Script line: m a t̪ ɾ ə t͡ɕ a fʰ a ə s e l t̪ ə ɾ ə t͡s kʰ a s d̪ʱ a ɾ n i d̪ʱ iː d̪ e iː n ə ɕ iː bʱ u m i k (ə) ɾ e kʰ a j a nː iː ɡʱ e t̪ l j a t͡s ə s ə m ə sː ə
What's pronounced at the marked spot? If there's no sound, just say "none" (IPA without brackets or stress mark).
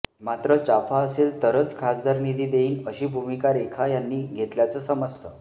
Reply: a